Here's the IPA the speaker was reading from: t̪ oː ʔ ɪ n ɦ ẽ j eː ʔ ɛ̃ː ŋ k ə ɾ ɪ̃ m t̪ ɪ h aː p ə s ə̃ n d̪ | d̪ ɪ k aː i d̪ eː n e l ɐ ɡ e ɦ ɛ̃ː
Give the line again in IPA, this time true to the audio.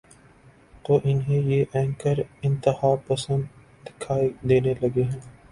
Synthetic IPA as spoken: t̪ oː ʔ ɪ n ɦ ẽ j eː ʔ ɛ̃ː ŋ k ə ɾ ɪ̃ n t̪ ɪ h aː p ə s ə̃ n d̪ | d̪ ɪ kʰ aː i d̪ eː n e l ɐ ɡ e ɦ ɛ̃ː